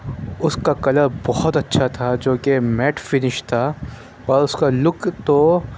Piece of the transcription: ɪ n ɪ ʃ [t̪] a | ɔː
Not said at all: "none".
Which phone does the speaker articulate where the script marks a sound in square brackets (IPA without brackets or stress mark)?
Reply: t̪ʰ